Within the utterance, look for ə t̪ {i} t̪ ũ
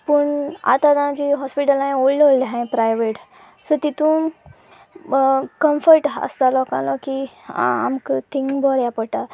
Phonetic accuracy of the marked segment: correct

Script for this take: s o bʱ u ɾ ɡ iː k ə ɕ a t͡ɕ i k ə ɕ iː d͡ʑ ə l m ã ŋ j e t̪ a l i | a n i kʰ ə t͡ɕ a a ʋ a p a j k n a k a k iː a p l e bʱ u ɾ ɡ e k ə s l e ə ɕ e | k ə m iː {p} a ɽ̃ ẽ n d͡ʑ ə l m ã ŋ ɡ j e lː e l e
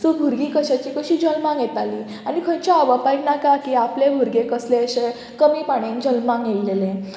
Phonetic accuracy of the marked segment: correct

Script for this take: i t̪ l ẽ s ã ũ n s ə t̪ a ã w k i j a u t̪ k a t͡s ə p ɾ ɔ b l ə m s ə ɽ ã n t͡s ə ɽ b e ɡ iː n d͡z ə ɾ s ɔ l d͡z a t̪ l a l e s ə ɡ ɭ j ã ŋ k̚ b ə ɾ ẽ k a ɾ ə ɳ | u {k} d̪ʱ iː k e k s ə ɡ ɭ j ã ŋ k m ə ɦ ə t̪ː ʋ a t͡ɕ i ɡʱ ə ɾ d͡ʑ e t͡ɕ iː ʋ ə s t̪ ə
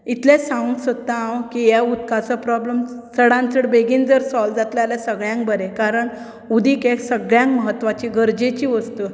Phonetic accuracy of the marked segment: incorrect: none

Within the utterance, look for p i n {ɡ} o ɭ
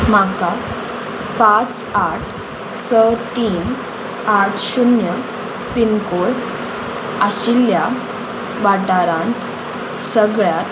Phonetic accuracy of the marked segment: incorrect: k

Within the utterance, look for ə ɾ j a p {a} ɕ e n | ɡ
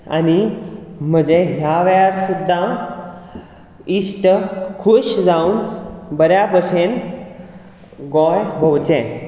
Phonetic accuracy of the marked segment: incorrect: ə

